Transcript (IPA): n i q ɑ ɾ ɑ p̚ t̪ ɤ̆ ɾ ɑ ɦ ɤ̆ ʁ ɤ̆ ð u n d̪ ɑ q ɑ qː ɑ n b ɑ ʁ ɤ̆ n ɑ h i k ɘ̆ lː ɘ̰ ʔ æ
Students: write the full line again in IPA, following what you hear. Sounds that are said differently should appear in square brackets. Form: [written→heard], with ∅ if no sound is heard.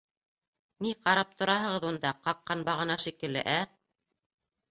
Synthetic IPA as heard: n i q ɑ ɾ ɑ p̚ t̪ [ɤ̆→ŏ] ɾ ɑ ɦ ɤ̆ ʁ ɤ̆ ð u n d̪ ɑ q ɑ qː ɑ n b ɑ ʁ ɤ̆ n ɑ [h→ʃ] i k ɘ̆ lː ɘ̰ ʔ æ